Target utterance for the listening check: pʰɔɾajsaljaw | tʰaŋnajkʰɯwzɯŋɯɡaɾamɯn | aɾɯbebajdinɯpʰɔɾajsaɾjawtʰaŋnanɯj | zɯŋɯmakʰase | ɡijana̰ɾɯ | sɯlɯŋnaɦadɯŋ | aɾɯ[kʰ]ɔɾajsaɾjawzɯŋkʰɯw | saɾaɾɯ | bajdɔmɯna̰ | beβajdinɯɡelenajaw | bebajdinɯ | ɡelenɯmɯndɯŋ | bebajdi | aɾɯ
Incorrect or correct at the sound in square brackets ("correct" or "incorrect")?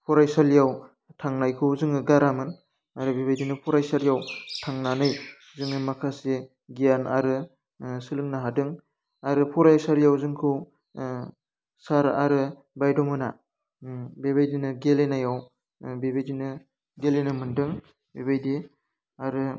incorrect